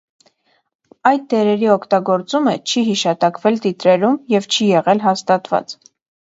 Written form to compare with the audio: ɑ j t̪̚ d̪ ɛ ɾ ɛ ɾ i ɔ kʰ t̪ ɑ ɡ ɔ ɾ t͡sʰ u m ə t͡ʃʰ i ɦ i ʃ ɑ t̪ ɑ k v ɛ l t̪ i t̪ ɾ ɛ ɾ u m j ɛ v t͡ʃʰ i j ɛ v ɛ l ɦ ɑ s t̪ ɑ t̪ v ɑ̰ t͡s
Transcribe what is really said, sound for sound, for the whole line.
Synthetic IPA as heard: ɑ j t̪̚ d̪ ɛ ɾ ɛ ɾ i ɔ kʰ t̪ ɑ ɡ ɔ ɾ t͡s u m ə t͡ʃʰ i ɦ i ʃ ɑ t̪ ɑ k v ɛ l t̪ i t̪ ɾ ɛ ɾ u m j ɛ v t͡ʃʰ i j ɛ ʁ ɛ l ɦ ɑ s t̪ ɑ t̪ v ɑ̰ t͡s